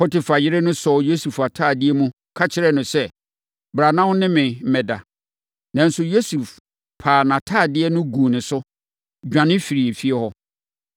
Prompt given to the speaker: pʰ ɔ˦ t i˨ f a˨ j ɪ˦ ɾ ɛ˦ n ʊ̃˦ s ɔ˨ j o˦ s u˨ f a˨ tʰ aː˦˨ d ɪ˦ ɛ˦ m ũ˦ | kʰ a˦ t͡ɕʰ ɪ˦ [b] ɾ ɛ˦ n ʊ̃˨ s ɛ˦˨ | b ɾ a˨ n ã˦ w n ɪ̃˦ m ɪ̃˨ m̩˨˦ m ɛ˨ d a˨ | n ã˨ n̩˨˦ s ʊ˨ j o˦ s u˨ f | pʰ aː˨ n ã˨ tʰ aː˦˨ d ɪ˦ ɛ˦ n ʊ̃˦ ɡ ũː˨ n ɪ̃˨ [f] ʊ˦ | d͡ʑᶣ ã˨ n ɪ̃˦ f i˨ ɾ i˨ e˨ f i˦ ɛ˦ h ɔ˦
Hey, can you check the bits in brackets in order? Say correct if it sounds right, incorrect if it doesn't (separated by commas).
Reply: incorrect, incorrect